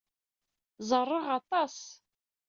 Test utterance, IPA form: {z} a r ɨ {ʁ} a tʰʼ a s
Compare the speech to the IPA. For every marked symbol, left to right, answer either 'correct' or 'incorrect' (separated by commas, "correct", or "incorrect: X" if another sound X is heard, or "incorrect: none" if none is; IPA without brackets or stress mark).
correct, correct